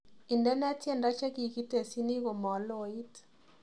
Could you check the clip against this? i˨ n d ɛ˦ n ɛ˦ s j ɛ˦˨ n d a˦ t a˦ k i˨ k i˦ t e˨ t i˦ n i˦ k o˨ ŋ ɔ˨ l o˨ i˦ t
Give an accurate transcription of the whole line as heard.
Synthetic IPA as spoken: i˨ n d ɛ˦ n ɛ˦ t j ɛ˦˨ n d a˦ t͡ʃ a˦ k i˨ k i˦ t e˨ s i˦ n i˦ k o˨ m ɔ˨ l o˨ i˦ t